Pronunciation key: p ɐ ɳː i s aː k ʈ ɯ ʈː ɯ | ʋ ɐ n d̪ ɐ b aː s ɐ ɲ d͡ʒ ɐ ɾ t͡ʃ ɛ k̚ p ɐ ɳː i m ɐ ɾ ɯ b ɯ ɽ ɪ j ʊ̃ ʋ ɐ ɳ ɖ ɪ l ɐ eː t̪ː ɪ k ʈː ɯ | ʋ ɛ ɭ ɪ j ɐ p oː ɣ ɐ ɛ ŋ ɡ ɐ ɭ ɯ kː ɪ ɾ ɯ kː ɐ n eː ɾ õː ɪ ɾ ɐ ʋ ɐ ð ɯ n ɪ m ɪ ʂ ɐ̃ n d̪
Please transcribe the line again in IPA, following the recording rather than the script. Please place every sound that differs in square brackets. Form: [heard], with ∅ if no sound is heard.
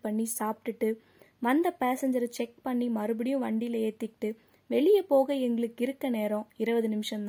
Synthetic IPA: p ɐ ɳː i s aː [p] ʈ ɯ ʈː ɯ | ʋ ɐ n d̪ ɐ [p] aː s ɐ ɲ d͡ʒ ɐ ɾ t͡ʃ ɛ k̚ p ɐ ɳː i m ɐ ɾ ɯ b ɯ ɽ ɪ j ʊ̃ ʋ ɐ ɳ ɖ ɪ l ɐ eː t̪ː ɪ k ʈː ɯ | ʋ ɛ ɭ ɪ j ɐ p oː ɣ ɐ ɛ ŋ ɡ ɐ ɭ ɯ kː ɪ ɾ ɯ kː ɐ n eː ɾ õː ɪ ɾ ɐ ʋ ɐ ð ɯ n ɪ m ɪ ʂ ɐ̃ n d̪